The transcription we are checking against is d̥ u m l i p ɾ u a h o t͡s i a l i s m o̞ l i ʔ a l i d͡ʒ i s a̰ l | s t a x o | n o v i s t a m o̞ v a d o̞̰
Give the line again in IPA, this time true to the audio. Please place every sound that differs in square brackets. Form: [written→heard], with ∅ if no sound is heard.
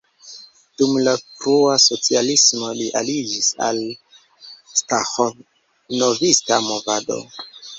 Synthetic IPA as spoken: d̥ u m l [i→a] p ɾ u a [h→s] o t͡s i a l i s m o̞ l i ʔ a l i d͡ʒ i s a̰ l | s t a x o | n o v i s t a m o̞ v a d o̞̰